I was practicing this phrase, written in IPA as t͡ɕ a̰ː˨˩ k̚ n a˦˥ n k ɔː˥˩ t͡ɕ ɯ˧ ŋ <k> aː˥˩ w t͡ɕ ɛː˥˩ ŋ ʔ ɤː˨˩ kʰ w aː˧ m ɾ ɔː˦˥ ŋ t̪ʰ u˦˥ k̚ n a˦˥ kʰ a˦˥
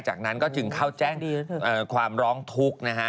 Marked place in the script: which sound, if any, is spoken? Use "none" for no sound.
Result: kʰ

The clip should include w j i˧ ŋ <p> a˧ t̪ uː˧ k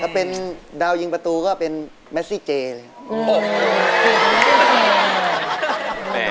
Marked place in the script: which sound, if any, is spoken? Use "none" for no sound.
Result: p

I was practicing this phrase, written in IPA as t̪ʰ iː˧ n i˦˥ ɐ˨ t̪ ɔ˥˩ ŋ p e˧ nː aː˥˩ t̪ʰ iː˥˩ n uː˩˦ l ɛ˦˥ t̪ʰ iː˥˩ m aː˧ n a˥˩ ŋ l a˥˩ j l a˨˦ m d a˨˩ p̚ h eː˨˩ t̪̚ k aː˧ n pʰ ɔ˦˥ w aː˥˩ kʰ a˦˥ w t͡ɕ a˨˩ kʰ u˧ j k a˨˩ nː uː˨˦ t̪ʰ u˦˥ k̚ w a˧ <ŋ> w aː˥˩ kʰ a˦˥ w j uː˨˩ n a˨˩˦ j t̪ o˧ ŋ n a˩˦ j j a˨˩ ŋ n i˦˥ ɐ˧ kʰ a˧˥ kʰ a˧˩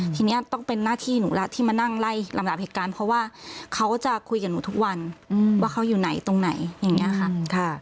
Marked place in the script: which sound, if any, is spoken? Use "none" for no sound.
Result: n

